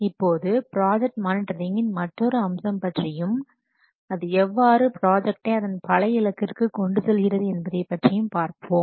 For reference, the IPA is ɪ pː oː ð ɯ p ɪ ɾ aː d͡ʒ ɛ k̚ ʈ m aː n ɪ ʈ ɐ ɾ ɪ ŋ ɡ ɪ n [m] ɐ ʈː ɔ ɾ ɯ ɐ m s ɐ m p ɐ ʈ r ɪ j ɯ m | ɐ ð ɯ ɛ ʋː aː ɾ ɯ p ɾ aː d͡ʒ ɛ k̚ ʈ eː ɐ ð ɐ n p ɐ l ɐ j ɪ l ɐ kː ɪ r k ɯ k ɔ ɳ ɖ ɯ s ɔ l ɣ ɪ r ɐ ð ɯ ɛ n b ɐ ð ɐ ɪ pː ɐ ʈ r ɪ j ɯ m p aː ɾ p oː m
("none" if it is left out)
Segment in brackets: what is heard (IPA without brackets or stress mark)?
m